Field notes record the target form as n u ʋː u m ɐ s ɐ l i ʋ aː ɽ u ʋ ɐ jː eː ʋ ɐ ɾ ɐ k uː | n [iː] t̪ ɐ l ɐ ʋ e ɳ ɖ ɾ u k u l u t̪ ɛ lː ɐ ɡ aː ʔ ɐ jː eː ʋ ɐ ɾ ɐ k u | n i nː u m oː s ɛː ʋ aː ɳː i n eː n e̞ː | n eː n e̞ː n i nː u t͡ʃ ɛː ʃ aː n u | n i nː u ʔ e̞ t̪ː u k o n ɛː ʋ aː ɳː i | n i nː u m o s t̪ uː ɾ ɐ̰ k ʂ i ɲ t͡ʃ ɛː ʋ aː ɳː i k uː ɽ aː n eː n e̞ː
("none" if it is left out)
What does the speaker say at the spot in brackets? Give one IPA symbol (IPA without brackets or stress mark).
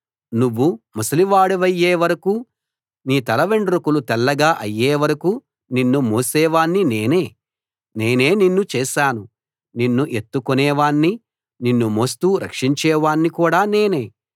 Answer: iː